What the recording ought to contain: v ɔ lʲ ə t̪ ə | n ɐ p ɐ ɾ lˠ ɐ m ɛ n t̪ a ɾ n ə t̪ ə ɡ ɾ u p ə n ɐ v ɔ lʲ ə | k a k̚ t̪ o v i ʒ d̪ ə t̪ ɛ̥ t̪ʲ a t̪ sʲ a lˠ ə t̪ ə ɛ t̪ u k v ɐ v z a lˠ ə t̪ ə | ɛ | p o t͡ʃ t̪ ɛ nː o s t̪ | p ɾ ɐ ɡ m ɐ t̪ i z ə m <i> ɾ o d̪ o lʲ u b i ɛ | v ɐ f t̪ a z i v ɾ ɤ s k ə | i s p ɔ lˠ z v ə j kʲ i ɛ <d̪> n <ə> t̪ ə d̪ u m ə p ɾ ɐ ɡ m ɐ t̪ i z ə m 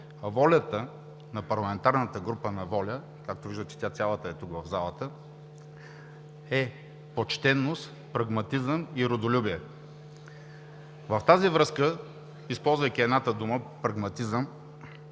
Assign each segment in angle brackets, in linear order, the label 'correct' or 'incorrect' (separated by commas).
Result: correct, correct, incorrect